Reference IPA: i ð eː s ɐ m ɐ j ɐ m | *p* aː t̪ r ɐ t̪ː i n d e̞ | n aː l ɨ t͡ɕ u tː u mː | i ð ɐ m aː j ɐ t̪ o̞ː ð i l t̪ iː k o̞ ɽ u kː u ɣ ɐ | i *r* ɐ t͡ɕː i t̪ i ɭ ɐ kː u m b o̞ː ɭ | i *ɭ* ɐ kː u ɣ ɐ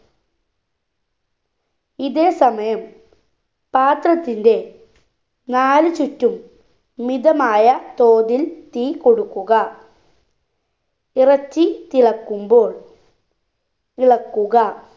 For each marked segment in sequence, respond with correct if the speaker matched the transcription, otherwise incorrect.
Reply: correct, correct, correct

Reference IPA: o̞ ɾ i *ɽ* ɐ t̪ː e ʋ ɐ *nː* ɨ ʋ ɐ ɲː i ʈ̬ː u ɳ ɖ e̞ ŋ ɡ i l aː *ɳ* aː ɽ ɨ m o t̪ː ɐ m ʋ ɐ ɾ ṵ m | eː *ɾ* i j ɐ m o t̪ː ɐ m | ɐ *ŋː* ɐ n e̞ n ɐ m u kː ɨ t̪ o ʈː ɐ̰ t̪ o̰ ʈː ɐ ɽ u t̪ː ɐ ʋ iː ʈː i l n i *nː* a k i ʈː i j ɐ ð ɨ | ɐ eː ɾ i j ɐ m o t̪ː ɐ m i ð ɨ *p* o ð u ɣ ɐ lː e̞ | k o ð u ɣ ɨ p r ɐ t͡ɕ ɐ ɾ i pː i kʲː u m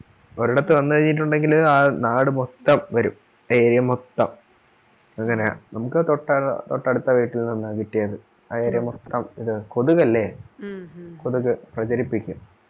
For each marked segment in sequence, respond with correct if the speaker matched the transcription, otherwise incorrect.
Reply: correct, correct, incorrect, correct, correct, correct, incorrect

